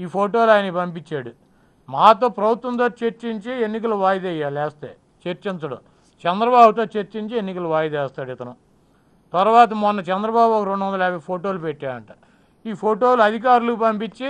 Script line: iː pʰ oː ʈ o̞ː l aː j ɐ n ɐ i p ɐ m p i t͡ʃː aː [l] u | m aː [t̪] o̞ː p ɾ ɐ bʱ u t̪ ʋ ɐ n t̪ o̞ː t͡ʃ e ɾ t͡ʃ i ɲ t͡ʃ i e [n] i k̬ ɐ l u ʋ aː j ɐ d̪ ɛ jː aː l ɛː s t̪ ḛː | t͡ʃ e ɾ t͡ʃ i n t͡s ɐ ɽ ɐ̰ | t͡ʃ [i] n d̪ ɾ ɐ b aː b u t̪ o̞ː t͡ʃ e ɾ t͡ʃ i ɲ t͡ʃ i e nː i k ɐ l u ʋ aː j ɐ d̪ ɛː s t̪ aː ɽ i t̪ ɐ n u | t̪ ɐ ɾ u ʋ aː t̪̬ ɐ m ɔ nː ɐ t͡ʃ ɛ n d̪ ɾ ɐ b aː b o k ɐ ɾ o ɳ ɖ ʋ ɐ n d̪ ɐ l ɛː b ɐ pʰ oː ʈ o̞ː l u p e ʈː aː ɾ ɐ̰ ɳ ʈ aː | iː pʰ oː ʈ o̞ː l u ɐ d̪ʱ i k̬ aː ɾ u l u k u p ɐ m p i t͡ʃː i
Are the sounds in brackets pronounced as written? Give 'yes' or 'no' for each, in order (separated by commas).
no, yes, no, no